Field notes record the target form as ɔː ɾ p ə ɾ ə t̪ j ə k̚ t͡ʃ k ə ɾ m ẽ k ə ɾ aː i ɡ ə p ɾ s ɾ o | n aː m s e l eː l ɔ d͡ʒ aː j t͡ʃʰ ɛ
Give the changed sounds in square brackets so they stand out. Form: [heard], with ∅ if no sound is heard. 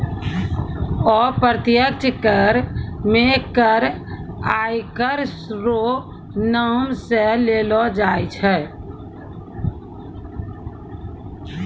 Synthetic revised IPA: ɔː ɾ p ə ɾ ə t̪ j ə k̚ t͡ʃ k ə ɾ m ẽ k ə ɾ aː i [k] ə [∅] ɾ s ɾ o | n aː m s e l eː l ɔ d͡ʒ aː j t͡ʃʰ ɛ